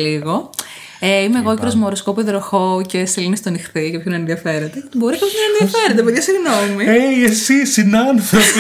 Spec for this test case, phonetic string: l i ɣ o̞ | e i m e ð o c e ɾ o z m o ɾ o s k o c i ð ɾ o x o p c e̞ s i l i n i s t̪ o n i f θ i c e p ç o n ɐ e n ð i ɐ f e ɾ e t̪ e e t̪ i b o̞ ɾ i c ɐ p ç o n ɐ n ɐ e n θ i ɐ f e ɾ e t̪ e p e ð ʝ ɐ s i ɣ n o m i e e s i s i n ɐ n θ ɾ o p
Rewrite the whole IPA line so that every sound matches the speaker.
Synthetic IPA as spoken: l i ɣ o̞ | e i m e ɣ o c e ɾ o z m o ɾ o s k o p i ð ɾ o x o c e̞ s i l i n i s t̪ o n i x θ i c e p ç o n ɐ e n ð i ɐ f e ɾ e t̪ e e t̪ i b o̞ ɾ i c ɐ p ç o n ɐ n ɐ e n ð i ɐ f e ɾ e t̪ e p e ð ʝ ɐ s i ɣ n o m i e e s i s i n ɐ n θ ɾ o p